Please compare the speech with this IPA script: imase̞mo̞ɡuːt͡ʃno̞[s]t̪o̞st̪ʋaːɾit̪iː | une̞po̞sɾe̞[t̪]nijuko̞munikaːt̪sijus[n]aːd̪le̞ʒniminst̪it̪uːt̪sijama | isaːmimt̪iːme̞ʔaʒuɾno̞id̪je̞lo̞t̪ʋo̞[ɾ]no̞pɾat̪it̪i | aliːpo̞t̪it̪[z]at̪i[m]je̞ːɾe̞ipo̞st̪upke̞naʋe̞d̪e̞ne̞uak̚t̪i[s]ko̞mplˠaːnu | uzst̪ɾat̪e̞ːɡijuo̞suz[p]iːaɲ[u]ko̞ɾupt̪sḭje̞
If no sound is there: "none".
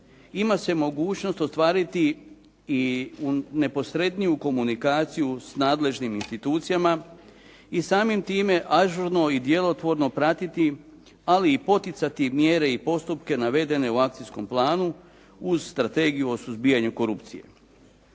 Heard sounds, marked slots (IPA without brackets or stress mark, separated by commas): s, d̪, n, ɾ, s, m, s, b, u